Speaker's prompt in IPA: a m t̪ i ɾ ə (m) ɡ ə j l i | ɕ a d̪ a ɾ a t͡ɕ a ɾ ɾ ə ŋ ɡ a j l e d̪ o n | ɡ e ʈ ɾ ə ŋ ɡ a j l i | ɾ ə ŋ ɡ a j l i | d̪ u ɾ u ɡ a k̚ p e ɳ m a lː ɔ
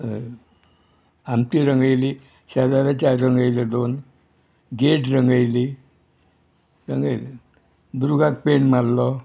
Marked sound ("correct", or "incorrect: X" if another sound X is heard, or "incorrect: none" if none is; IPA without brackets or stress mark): incorrect: ŋ